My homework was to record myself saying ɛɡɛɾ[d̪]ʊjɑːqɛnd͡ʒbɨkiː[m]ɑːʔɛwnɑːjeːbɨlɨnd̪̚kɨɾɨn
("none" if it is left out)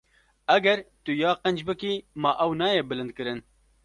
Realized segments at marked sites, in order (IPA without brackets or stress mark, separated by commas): t̪, m